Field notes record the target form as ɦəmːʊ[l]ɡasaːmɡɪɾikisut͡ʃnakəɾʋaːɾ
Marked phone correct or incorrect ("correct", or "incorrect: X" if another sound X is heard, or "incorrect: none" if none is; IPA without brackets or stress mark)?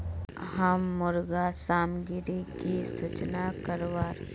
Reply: incorrect: ɾ